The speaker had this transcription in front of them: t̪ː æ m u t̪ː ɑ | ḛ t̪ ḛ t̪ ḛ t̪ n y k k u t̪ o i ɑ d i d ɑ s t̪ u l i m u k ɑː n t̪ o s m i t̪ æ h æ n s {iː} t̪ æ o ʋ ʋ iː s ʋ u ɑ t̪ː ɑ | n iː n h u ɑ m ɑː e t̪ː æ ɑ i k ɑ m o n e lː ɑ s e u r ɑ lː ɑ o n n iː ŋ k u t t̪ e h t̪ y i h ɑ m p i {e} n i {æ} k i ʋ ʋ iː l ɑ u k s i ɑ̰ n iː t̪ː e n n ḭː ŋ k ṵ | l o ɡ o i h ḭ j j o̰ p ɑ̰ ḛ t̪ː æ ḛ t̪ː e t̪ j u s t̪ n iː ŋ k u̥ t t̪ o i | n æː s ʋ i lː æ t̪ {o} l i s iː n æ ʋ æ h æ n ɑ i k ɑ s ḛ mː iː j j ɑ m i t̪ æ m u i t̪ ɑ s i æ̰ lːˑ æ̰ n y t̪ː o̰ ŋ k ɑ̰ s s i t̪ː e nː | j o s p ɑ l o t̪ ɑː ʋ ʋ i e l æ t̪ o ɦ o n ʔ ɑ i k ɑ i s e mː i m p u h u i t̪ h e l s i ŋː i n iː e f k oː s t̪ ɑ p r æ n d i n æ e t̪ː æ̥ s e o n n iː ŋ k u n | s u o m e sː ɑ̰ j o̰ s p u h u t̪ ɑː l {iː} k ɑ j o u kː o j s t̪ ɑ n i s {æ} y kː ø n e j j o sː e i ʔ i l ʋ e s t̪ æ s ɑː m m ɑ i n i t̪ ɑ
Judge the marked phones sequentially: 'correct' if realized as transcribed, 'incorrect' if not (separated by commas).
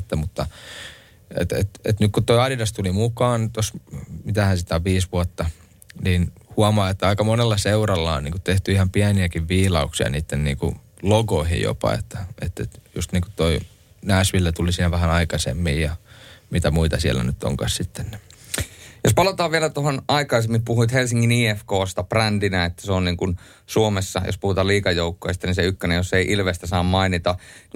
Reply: incorrect, incorrect, correct, incorrect, correct, incorrect